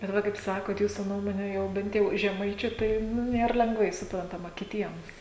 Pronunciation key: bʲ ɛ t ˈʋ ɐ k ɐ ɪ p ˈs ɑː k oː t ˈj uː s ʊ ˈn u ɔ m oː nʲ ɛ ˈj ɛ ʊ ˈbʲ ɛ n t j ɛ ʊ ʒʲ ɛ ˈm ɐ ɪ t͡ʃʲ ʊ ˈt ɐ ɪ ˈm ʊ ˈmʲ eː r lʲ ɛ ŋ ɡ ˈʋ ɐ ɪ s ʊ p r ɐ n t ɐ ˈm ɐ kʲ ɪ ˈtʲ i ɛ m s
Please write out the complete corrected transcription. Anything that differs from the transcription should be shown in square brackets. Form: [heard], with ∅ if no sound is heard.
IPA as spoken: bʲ ɛ t ˈʋ ɐ k ɐ ɪ p ˈs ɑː k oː t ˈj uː s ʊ ˈn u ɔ m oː nʲ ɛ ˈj ɛ ʊ ˈbʲ ɛ n t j ɛ ʊ ʒʲ ɛ ˈm ɐ ɪ t͡ʃʲ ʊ ˈt ɐ ɪ [ˈn] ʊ [ˈnʲ] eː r lʲ ɛ ŋ ɡ ˈʋ ɐ ɪ s ʊ p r ɐ n t ɐ ˈm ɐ kʲ ɪ ˈtʲ i ɛ m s